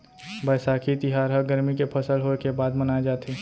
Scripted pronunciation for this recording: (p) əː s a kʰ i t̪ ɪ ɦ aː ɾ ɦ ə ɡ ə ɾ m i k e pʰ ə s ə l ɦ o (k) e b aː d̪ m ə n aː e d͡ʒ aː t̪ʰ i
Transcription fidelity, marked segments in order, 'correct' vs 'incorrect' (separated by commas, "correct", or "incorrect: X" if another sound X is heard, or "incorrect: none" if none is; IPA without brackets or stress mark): incorrect: b, correct